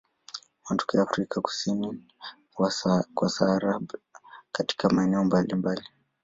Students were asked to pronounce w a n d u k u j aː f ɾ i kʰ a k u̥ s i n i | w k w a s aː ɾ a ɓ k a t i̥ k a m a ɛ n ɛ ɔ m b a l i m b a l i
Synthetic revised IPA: w a n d u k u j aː f ɾ i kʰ a k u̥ s i n i | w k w a s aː ɾ a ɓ k a t i̥ k a m a ɛ n ɛ ɔ m b a l i m b a l i